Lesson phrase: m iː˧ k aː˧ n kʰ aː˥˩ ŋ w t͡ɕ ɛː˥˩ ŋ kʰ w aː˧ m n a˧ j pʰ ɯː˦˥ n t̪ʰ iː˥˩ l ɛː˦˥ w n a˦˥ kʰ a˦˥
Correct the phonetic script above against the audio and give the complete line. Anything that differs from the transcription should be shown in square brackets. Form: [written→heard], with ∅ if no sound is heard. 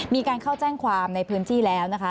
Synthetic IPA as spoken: m iː˧ k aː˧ n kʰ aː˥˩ [ŋ→∅] w t͡ɕ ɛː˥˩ ŋ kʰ w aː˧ m n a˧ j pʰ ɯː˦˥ n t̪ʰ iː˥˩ l ɛː˦˥ w n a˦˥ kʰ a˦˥